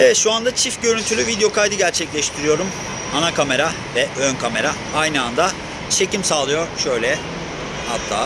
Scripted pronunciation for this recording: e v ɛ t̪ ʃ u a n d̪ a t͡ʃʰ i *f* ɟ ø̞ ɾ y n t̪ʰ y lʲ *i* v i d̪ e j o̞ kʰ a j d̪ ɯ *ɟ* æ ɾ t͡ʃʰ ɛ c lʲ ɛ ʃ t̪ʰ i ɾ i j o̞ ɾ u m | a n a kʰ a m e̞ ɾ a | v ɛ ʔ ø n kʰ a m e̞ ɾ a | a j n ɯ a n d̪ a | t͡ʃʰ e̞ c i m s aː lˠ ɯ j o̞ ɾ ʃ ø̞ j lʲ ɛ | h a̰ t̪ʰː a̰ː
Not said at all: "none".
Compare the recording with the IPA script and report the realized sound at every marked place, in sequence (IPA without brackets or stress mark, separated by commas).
f, y, ɟ